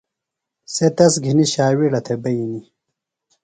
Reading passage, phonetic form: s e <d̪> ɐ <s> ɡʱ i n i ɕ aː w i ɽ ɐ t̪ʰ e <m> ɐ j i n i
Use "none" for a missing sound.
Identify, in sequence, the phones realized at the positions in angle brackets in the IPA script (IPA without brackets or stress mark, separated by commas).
t̪, s, b